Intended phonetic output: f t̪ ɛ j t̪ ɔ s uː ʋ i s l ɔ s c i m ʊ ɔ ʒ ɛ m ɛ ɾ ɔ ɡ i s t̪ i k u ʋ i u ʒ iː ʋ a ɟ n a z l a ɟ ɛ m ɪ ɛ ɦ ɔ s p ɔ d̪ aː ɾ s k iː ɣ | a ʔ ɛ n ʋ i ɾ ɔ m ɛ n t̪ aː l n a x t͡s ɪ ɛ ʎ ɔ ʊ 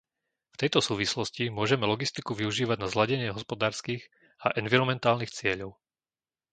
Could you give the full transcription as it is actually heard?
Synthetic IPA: f t̪ ɛ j t̪ ɔ s uː ʋ i s l ɔ s c i m ʊ ɔ ʒ ɛ m ɛ l ɔ ɡ i s t̪ i k u ʋ i u ʒ iː ʋ a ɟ n a z l a ɟ ɛ ɲ ɪ ɛ ɦ ɔ s p ɔ d̪ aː ɾ s k iː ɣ | a ʔ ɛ n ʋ i ɾ ɔ m ɛ n t̪ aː l n i x t͡s ɪ ɛ ʎ ɔ ʊ